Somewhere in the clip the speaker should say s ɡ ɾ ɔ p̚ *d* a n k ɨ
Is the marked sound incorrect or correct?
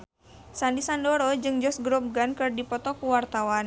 incorrect